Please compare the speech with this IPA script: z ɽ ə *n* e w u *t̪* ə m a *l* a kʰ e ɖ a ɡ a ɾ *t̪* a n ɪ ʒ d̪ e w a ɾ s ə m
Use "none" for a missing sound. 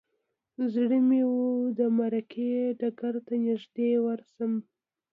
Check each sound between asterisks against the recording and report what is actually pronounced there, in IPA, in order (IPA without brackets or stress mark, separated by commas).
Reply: m, d̪, ɾ, t̪